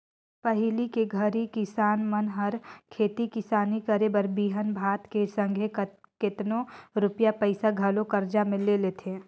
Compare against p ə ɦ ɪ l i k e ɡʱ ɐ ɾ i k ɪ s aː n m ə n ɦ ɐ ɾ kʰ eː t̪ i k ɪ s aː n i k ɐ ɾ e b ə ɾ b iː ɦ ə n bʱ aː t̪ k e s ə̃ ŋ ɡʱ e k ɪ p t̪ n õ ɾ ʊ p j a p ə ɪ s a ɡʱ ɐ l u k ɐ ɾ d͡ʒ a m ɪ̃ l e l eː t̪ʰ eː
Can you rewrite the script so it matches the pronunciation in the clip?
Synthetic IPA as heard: p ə ɦ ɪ l i k e ɡʱ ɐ ɾ i k ɪ s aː n m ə n ɦ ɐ ɾ kʰ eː t̪ i k ɪ s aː n i k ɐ ɾ e b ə ɾ b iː ɦ ə n bʱ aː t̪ k e s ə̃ ŋ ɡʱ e k ɪ t̪ n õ ɾ ʊ p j a p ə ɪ s a ɡʱ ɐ l o k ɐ ɾ d͡ʒ a m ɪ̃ l e l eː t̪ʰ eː